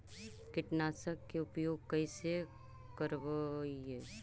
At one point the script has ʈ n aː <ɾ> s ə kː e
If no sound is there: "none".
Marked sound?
none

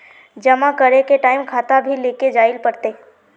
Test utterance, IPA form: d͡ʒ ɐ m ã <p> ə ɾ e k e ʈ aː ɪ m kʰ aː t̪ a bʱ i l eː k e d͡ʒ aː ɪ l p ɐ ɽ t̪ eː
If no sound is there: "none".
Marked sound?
k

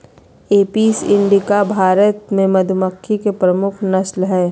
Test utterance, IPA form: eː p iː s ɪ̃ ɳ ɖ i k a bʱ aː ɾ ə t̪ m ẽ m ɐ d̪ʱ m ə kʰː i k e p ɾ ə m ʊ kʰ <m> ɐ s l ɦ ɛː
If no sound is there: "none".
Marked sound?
n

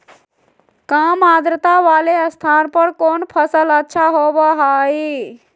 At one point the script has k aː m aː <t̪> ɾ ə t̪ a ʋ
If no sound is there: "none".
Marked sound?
d̪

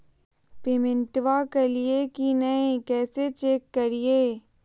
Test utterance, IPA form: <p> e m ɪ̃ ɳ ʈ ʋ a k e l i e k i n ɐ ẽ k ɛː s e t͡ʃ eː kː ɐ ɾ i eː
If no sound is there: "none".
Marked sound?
p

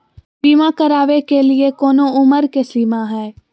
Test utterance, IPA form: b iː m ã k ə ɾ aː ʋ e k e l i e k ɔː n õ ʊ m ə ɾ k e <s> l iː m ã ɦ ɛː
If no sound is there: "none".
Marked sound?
s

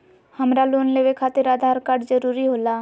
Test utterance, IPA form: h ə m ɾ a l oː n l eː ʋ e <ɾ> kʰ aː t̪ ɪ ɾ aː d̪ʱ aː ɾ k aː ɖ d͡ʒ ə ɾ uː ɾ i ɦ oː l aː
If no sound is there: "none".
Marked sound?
none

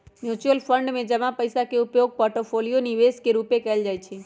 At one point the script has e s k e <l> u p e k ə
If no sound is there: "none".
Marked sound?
ɾ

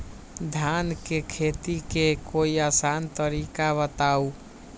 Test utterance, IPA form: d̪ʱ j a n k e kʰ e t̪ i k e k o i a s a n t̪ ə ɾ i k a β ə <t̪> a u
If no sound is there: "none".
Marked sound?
t̪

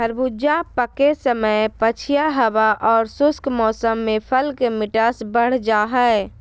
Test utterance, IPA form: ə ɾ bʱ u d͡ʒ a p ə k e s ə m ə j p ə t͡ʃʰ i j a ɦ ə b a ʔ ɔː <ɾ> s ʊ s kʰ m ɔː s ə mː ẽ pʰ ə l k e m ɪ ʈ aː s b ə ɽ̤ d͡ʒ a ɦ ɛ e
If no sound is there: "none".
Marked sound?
ɾ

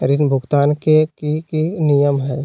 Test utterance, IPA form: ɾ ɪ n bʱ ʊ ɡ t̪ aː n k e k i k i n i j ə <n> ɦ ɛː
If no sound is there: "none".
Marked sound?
m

